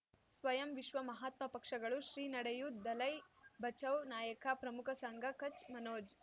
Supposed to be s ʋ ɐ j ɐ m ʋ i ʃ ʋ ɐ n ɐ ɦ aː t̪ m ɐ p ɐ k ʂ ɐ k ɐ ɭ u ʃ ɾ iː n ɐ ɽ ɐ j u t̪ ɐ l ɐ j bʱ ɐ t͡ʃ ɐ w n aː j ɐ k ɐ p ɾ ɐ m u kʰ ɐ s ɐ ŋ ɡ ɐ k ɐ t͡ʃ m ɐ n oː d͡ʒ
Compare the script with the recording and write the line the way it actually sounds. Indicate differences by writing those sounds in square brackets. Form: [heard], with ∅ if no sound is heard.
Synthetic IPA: s ʋ ɐ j ɐ m ʋ i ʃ ʋ ɐ [m] ɐ ɦ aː t̪ m ɐ p ɐ k ʂ ɐ [ɡ] ɐ ɭ u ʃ ɾ iː n ɐ ɽ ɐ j u [d̪] ɐ l ɐ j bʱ ɐ t͡ʃ ɐ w n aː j ɐ k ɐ p ɾ ɐ m u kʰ ɐ s ɐ ŋ ɡ ɐ k ɐ t͡ʃ m ɐ n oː d͡ʒ